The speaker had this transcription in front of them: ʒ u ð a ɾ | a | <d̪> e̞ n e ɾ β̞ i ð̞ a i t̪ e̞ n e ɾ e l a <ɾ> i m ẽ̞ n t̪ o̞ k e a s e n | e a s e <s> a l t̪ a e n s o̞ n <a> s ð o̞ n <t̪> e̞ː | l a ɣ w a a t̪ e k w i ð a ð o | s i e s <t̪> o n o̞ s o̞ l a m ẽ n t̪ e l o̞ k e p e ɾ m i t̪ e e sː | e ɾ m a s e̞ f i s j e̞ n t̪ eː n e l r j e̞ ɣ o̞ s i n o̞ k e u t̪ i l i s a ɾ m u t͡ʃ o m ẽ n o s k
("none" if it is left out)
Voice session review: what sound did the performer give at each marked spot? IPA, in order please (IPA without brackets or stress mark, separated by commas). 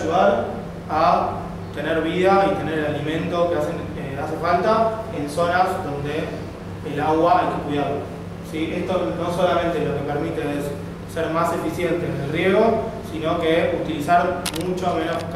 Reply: t̪, l, f, a, d̪, t̪